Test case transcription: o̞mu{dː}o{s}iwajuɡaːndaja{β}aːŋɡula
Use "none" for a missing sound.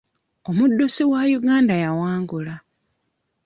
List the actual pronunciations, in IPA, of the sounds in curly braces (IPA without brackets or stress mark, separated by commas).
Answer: dː, s, w